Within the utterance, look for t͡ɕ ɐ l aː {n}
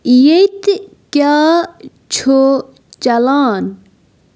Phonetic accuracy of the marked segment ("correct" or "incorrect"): correct